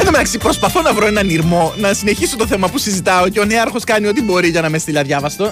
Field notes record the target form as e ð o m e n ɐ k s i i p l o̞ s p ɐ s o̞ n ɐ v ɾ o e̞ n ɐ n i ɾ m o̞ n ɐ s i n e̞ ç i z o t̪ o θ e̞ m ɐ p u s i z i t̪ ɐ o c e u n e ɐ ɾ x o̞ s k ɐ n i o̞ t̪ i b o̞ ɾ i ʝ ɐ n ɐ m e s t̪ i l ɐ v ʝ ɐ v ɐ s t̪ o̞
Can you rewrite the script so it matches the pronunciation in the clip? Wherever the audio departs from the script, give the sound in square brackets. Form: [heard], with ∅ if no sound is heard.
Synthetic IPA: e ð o m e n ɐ k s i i p [ɾ] o̞ s p ɐ [θ] o̞ n ɐ v ɾ o e̞ n ɐ n i ɾ m o̞ n ɐ s i n e̞ ç i [s] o t̪ o θ e̞ m ɐ p u s i z i t̪ ɐ o c e [o] n e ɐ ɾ x o̞ s k ɐ n i o̞ t̪ i b o̞ ɾ i ʝ ɐ n ɐ m e s t̪ i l ɐ [ð] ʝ ɐ v ɐ s t̪ o̞